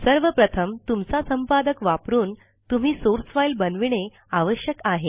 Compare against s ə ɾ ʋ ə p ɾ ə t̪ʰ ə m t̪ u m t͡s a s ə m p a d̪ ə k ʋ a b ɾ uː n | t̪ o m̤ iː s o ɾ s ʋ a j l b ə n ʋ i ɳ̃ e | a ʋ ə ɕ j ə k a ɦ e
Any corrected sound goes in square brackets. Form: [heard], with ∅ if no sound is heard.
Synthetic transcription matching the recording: s ə ɾ ʋ ə p ɾ ə t̪ʰ ə m t̪ u m t͡s a s ə m p a d̪ ə k ʋ a [p] ɾ uː n | t̪ [u] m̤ iː s o ɾ s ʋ a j l b ə n ʋ i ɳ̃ e | a ʋ ə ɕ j ə k a ɦ e